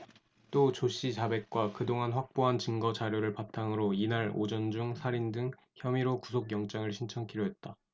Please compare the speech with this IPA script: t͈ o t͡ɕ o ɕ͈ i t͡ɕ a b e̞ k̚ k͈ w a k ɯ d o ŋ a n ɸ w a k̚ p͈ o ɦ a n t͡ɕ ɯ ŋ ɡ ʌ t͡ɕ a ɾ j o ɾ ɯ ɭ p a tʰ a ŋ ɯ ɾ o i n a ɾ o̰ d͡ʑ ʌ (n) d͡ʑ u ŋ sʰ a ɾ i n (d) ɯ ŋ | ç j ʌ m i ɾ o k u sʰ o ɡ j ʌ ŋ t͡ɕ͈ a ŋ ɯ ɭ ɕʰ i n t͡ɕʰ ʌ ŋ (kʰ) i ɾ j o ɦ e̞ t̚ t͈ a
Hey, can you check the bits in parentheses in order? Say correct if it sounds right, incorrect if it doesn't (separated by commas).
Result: correct, correct, correct